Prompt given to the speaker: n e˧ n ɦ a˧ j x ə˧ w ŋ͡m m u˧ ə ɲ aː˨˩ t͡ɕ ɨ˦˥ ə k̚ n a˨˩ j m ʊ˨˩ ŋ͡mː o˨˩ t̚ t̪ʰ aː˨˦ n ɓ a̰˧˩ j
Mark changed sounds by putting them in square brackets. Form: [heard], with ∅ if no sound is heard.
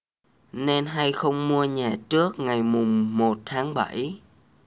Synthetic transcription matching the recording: n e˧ n ɦ a˧ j x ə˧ w ŋ͡m m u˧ ə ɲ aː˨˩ t͡ɕ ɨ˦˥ ə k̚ [ŋ] a˨˩ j m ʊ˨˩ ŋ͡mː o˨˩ t̚ t̪ʰ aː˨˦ [ŋ] ɓ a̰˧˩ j